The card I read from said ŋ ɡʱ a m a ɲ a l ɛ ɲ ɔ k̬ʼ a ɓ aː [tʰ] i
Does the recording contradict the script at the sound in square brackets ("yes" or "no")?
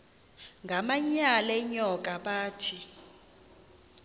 no